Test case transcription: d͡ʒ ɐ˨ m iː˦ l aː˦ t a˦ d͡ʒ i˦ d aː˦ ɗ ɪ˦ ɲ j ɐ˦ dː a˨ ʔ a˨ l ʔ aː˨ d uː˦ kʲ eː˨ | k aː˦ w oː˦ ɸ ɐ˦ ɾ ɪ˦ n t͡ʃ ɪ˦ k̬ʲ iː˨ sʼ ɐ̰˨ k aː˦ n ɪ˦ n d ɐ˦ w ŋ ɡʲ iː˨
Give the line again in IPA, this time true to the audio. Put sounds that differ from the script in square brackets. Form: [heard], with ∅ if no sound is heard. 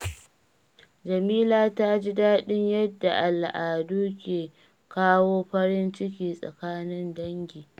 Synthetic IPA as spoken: d͡ʒ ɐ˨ m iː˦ l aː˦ t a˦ d͡ʒ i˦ d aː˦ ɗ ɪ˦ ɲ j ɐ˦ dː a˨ ʔ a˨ l ʔ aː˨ d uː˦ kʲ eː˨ | k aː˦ w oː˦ ɸ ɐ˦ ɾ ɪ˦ n t͡ʃ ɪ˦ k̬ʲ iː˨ sʼ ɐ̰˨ k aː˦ n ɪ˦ n d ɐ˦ [∅] ŋ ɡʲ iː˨

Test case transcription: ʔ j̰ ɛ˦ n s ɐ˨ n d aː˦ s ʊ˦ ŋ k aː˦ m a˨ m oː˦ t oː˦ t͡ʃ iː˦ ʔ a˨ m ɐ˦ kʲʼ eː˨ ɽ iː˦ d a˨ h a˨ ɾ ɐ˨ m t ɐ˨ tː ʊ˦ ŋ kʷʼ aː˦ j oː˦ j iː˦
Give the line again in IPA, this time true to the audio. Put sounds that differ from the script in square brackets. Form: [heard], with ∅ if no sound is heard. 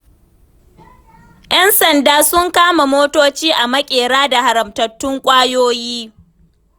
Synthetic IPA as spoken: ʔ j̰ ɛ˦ n s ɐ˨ n d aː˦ s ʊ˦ ŋ k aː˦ m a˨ m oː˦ t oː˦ t͡ʃ iː˦ ʔ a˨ m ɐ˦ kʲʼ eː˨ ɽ [aː˦] d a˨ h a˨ ɾ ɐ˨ m t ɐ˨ tː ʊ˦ ŋ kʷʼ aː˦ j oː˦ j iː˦

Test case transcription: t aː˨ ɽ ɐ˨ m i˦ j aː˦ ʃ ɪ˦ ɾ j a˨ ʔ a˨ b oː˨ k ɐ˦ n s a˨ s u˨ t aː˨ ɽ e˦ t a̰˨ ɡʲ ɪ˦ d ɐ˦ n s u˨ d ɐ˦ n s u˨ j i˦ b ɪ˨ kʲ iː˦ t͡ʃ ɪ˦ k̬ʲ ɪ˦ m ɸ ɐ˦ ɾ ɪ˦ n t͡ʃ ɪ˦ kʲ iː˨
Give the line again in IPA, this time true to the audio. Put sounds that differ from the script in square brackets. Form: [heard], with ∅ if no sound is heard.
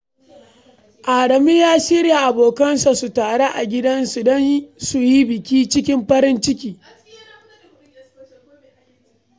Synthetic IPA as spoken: [ʔ] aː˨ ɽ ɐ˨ m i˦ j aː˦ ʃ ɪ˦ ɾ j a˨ ʔ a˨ b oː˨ k ɐ˦ n s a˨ s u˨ t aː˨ ɽ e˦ [ʔ] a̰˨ ɡʲ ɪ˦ d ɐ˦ n s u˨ d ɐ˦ n s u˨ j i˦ b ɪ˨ kʲ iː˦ t͡ʃ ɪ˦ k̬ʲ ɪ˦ m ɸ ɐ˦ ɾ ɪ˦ n t͡ʃ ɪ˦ kʲ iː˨

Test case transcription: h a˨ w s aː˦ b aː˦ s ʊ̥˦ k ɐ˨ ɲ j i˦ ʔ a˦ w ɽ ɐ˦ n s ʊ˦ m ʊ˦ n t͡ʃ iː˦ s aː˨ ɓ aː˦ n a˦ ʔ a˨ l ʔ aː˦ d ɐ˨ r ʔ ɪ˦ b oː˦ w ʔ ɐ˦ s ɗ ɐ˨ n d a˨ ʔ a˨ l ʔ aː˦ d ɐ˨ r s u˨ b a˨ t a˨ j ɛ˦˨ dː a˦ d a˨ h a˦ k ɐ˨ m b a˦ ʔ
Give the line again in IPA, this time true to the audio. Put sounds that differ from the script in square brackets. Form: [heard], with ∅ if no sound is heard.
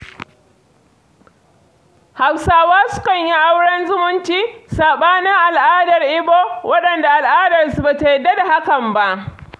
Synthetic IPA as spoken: h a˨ w s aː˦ [w] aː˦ s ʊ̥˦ k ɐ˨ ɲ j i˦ ʔ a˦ w ɽ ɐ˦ n [z] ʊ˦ m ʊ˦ n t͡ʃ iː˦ s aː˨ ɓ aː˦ n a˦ ʔ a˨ l ʔ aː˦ d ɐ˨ r ʔ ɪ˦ b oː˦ w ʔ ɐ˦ [∅] ɗ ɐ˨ n d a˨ ʔ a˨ l ʔ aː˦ d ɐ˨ r s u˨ b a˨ t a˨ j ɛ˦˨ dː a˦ d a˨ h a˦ k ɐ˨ m b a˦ ʔ

